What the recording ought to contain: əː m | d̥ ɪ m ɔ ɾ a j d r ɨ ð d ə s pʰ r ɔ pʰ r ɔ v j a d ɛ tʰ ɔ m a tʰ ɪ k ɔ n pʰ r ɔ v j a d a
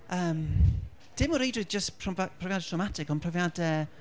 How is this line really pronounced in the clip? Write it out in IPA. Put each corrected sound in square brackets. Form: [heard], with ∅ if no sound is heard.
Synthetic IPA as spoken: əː m | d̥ ɪ m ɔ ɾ [e] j d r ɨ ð [d͡ʒ] ə s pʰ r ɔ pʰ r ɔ v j a d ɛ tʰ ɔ m a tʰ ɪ k ɔ n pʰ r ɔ v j a d [ɛ]